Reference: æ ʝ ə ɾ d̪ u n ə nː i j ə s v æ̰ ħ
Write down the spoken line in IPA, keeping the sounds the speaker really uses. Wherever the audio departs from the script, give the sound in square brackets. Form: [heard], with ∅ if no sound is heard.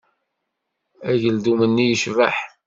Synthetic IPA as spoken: æ ʝ ə [l] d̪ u [m] ə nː i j ə [ʃ] v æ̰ ħ